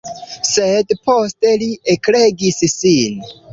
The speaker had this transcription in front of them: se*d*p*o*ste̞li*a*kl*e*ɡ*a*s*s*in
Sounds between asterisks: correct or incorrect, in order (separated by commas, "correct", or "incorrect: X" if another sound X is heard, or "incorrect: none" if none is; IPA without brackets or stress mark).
correct, correct, incorrect: e, correct, incorrect: i, correct